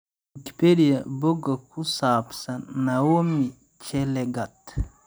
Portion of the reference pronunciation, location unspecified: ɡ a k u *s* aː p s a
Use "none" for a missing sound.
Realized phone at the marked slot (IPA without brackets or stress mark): s